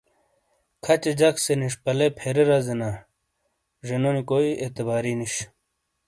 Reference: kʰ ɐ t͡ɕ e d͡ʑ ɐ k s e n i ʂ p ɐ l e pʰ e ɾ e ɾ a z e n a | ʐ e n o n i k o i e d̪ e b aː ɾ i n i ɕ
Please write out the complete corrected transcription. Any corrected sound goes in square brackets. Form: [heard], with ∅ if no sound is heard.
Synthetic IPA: kʰ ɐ t͡ɕ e d͡ʑ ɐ k s e n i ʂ p ɐ l e pʰ e ɾ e ɾ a z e n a | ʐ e n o n i k o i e [t̪] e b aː ɾ i n i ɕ